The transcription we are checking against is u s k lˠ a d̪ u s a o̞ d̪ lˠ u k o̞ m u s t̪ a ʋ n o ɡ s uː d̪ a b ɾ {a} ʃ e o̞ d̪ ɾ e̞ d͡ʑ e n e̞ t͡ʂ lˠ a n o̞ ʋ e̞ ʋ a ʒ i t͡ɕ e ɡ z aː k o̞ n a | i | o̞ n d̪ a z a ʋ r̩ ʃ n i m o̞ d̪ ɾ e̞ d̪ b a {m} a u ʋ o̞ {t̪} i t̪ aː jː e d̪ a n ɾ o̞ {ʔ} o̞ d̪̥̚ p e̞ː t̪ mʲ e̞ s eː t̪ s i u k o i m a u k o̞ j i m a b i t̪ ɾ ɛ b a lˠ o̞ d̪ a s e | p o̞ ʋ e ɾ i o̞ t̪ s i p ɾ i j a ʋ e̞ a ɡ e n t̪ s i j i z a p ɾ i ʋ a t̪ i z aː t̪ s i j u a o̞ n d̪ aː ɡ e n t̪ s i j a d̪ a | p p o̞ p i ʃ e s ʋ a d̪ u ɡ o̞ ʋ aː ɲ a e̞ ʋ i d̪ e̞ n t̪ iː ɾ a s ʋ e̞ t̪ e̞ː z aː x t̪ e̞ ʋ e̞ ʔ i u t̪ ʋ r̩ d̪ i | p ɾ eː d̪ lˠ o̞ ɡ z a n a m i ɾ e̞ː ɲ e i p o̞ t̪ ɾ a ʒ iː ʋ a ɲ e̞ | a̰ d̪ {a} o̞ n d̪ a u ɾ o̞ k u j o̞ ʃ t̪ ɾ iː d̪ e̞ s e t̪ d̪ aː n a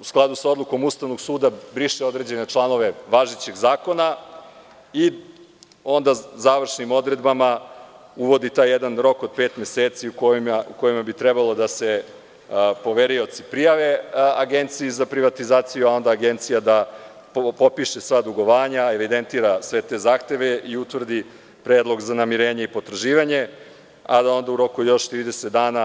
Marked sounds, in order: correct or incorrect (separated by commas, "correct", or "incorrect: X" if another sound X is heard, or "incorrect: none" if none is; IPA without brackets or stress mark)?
incorrect: i, correct, incorrect: d̪, incorrect: k, correct